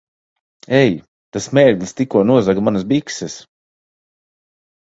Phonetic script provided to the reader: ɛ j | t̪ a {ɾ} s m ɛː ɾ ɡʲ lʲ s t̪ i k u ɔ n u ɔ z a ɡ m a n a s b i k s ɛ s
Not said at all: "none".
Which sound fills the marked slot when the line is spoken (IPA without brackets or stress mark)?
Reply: none